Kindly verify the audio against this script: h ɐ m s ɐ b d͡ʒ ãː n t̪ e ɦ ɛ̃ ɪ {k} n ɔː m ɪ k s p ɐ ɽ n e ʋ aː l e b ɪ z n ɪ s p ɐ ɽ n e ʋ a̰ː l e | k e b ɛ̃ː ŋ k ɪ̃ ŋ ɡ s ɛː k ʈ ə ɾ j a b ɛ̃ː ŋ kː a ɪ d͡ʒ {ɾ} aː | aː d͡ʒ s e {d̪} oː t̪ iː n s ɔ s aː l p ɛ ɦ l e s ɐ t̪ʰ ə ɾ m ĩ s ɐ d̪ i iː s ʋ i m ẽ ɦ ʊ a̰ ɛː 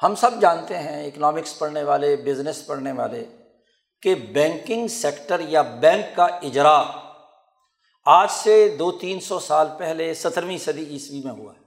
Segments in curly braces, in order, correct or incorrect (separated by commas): correct, correct, correct